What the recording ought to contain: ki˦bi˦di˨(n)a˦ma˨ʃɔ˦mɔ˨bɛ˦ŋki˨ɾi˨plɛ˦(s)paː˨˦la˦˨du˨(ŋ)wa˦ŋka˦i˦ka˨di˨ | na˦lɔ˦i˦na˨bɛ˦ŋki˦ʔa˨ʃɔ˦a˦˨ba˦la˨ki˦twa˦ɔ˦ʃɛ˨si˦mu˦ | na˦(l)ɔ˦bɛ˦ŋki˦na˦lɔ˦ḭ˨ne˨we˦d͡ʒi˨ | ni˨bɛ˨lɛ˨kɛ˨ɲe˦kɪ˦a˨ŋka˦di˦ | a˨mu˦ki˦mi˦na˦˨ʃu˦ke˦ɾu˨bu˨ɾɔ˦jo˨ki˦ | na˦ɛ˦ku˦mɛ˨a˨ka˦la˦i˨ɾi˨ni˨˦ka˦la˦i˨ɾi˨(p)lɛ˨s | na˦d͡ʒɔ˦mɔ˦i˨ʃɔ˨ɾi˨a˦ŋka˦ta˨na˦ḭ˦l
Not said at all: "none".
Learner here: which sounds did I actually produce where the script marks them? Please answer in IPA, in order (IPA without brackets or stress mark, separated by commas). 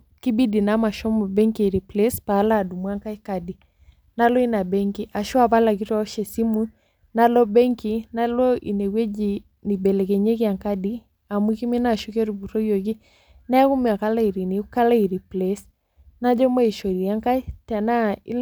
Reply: n, s, m, l, p